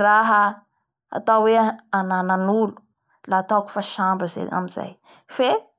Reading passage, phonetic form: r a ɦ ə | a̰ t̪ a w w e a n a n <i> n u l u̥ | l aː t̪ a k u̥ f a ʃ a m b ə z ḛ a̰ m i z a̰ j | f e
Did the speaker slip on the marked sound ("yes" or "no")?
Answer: yes